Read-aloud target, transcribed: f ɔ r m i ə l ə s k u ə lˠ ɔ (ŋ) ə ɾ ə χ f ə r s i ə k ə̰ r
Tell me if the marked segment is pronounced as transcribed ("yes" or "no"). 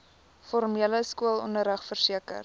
no